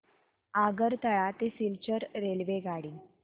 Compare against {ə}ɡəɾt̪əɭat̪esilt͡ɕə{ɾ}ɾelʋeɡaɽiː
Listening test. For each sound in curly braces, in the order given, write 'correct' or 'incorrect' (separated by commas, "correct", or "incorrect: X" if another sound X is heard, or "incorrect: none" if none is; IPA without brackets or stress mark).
incorrect: a, correct